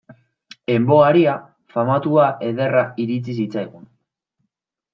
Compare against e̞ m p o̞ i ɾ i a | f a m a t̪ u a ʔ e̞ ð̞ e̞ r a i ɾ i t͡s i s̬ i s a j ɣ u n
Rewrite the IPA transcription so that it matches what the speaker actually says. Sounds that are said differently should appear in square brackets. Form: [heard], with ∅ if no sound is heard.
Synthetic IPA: e̞ m [b] o̞ [a] ɾ i a | f a m a t̪ u a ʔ e̞ ð̞ e̞ r a i ɾ i t͡s i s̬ i [t͡s] a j ɣ u n